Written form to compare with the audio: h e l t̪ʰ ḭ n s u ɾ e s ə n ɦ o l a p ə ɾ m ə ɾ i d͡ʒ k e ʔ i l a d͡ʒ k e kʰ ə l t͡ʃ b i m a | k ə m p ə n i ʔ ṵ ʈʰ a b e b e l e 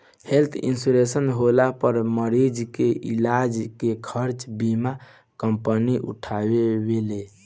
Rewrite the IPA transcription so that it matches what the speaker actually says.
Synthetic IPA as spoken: h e l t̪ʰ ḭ n s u ɾ e s ə n ɦ o l a p ə ɾ m ə ɾ i d͡ʒ k e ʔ i l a d͡ʒ k e kʰ ə ɾ t͡ʃ b i m a | k ə m p ə n i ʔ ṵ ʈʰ a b e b e l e